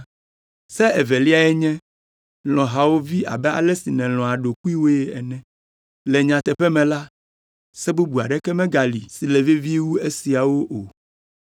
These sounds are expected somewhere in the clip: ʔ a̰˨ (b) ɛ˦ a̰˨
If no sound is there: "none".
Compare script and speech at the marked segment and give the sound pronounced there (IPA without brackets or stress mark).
b